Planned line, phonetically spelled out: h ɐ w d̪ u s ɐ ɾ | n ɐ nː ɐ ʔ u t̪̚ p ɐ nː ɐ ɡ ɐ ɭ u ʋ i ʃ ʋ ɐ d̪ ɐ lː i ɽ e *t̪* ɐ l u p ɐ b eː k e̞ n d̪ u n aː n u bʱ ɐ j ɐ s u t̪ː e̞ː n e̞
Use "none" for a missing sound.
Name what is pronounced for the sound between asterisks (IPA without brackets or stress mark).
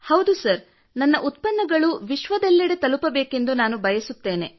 t̪